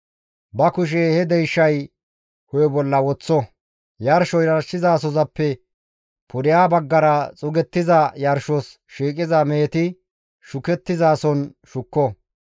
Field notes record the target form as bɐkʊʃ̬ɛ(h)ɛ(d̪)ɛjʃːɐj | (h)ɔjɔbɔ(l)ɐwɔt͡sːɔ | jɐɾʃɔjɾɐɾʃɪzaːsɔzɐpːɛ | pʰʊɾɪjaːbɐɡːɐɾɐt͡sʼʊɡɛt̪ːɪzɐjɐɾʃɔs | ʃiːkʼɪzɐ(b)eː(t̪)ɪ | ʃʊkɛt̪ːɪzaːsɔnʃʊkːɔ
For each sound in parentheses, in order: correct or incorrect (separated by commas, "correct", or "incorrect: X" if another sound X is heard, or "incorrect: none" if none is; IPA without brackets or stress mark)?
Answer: correct, correct, correct, incorrect: lː, incorrect: m, correct